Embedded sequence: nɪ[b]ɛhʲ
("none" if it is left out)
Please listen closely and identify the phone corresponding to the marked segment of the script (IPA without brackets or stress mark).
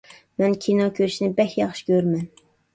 b